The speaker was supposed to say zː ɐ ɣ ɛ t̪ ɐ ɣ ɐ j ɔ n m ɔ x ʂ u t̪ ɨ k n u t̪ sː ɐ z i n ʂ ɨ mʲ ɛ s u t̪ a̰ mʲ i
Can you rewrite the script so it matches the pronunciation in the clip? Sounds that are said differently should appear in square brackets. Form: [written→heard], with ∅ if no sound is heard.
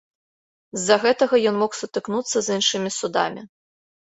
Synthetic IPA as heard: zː ɐ ɣ ɛ t̪ ɐ ɣ ɐ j ɔ n m ɔ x [ʂ→s] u t̪ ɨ k n u t̪ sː ɐ z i n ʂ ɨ mʲ [ɛ→i] s u [t̪→d̪] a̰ mʲ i